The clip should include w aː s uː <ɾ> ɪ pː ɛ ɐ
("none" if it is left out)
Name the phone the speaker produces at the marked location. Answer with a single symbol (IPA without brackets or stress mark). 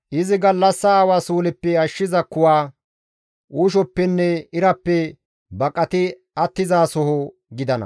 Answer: l